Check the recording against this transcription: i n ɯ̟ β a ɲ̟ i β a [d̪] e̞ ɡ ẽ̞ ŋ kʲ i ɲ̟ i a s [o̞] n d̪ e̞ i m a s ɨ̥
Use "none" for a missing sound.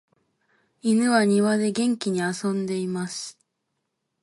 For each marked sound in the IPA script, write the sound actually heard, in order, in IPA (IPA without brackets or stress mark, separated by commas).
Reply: d̪, õ̞